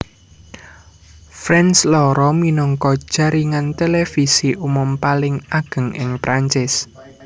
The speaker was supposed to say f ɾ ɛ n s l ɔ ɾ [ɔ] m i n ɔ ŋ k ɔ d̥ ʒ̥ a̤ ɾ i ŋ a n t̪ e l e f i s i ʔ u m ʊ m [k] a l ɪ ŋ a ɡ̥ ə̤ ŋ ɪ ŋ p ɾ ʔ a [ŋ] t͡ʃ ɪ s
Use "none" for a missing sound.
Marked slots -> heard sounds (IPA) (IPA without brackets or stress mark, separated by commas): ɔ, p, ɲ